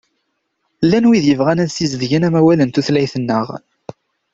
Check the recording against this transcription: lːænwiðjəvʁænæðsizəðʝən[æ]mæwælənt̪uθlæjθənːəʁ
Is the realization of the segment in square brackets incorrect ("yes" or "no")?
no